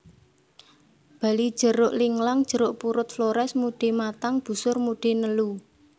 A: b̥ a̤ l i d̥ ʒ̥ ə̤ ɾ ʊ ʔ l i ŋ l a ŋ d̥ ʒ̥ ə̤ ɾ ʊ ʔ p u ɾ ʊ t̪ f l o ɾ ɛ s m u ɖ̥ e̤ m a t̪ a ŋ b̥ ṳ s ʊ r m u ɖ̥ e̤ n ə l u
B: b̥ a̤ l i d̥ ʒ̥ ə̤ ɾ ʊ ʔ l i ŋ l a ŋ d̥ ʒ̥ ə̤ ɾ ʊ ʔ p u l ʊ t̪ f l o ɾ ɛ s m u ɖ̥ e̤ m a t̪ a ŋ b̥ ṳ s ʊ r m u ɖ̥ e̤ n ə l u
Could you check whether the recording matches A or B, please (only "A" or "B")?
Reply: A